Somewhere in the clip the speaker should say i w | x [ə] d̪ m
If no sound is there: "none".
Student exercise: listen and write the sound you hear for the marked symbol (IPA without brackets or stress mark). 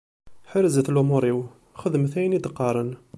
ə